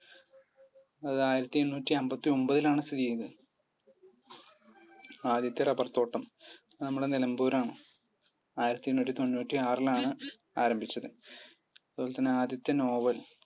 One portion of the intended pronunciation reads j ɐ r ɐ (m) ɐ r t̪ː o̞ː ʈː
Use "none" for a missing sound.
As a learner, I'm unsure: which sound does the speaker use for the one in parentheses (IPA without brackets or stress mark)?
b